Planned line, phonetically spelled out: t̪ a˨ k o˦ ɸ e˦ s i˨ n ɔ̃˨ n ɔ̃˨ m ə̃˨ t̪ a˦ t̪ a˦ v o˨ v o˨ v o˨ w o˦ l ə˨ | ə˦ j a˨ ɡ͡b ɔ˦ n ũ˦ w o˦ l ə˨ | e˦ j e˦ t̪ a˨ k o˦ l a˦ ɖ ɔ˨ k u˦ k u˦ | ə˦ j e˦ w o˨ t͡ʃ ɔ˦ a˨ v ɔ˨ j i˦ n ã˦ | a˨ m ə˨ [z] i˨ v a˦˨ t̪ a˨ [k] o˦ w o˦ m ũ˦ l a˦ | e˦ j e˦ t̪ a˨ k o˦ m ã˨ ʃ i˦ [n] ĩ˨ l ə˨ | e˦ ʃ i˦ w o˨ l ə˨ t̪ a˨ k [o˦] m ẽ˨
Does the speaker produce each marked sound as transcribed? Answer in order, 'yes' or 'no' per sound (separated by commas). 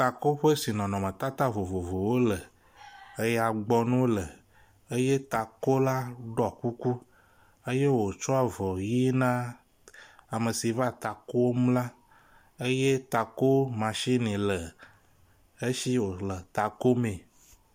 no, yes, yes, yes